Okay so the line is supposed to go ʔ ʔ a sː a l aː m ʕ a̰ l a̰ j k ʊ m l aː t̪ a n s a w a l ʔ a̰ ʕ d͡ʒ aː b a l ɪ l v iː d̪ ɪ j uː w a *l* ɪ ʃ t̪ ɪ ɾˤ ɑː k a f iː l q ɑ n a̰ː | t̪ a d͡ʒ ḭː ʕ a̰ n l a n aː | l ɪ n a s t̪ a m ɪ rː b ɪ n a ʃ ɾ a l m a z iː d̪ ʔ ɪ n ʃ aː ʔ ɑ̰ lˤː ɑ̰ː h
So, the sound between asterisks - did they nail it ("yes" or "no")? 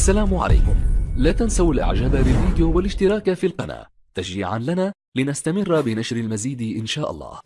yes